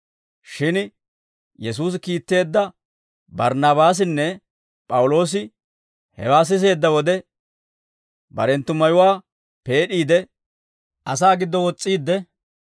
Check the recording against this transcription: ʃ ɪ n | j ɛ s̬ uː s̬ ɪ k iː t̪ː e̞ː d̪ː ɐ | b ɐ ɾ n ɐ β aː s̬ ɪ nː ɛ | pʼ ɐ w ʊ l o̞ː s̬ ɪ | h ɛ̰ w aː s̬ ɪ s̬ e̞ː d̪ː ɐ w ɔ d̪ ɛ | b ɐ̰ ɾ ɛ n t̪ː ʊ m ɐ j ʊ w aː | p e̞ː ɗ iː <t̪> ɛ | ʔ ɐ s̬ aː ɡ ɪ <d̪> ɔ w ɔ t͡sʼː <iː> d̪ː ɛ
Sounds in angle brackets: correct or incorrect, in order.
incorrect: d̪, incorrect: d̪ː, correct

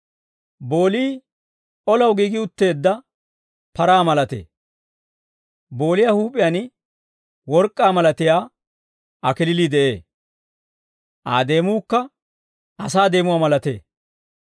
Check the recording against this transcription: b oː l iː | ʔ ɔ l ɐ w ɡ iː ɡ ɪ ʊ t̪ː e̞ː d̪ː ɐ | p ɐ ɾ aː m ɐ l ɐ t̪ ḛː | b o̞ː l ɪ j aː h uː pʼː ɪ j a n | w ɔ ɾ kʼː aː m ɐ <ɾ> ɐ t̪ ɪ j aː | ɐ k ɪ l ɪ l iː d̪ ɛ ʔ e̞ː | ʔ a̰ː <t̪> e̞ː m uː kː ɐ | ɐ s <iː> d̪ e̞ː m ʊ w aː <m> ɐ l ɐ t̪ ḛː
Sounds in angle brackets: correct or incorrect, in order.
incorrect: l, incorrect: d̪, incorrect: aː, correct

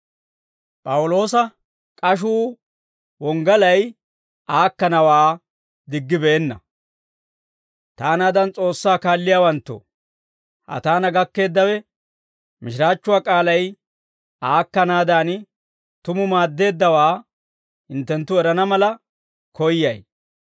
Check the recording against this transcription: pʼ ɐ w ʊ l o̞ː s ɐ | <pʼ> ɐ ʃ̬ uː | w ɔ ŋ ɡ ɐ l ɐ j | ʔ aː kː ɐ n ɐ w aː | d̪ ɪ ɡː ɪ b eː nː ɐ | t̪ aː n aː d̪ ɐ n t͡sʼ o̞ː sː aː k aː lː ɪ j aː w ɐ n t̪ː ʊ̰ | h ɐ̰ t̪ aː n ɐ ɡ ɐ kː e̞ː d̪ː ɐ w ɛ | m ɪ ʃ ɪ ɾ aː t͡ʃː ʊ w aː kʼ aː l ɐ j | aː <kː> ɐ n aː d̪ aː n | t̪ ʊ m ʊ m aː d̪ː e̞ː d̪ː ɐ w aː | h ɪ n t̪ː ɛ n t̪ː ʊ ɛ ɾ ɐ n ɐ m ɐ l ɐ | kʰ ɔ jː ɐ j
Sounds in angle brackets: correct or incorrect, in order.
incorrect: kʼ, correct

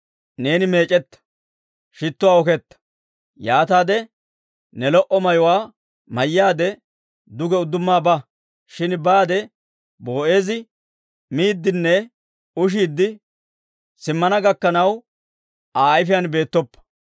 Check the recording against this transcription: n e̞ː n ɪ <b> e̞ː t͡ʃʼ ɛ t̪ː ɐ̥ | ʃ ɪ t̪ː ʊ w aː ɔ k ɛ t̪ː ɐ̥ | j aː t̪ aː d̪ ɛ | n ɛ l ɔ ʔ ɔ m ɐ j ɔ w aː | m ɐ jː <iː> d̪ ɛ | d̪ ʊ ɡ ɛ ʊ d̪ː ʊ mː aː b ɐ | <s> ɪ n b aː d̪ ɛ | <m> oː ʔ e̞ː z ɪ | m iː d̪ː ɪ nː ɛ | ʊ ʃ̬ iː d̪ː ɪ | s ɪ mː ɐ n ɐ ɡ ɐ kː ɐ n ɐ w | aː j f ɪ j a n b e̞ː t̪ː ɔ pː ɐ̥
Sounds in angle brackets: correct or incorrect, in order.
incorrect: m, incorrect: aː, incorrect: ʃ, incorrect: b

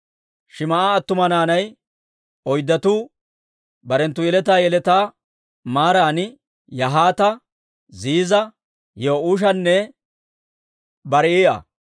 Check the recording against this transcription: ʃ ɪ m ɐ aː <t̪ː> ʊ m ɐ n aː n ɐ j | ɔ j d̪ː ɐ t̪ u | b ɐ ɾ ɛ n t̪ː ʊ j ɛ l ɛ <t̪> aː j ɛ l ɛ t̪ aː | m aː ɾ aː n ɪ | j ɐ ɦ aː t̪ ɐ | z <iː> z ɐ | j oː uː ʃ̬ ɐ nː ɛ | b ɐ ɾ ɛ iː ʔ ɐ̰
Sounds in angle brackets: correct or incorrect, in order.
correct, correct, correct

